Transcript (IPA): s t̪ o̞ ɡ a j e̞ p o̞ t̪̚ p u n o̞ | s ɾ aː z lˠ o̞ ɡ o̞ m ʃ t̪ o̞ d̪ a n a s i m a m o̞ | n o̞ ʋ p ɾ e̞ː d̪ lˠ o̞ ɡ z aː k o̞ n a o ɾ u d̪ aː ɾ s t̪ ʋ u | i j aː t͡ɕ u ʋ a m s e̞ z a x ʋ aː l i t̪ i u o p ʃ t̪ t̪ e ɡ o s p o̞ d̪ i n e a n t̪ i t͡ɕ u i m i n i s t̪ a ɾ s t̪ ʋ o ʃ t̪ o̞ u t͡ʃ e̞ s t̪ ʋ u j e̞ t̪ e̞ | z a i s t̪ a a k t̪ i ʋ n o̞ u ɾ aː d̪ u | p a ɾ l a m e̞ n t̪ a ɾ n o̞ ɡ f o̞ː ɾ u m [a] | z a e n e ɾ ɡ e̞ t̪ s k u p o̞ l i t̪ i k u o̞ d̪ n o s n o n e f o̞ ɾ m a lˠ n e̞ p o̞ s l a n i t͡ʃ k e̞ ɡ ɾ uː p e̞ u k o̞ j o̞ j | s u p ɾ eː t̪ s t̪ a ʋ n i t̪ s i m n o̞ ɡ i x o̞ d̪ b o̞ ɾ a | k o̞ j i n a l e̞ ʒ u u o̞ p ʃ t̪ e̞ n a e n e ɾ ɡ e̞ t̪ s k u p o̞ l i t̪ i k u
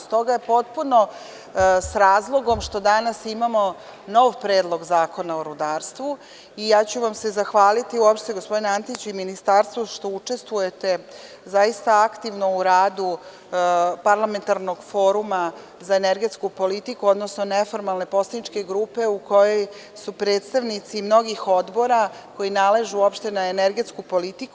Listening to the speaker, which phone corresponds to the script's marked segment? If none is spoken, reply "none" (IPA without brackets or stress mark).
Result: a